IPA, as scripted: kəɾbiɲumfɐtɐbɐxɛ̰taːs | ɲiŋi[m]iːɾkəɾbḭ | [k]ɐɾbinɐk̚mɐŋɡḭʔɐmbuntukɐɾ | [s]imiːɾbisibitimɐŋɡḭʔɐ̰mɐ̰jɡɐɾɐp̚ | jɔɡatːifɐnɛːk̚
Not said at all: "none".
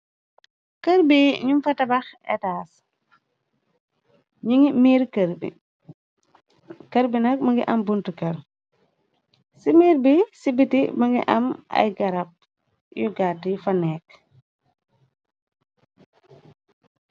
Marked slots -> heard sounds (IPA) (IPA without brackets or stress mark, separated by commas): m, k, s